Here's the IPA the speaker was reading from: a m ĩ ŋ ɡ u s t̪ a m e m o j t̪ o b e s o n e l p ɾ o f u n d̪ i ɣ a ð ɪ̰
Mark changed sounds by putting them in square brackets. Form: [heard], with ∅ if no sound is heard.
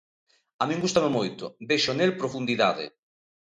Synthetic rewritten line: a m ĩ ŋ ɡ u s t̪ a m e m o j t̪ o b e [ʃ] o n e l p ɾ o f u n d̪ i [ð] a ð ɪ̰